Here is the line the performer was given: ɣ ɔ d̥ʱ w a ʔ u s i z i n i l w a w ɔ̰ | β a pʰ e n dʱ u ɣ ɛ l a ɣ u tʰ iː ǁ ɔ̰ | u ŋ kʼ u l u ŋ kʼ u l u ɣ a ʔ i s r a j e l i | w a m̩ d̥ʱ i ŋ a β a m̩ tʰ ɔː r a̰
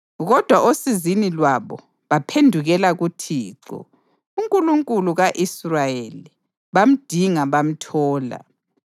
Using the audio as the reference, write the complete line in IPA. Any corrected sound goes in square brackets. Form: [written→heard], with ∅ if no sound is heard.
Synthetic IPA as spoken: ɣ ɔ d̥ʱ w a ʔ [u→o] s i z i n i l w a [w→β] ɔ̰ | β a pʰ e n dʱ u ɣ ɛ l a ɣ u tʰ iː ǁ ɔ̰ | u ŋ kʼ u l u ŋ kʼ u l u ɣ a ʔ i s r a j e l i | [w→β] a m̩ d̥ʱ i ŋ a β a m̩ tʰ ɔː [r→l] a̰